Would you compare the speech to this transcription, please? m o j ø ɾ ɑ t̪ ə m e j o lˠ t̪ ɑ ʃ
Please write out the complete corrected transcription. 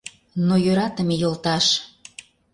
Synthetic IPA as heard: n o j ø ɾ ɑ t̪ ə m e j o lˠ t̪ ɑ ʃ